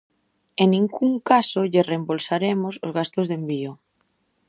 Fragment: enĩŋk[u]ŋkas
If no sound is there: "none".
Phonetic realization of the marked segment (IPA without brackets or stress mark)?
u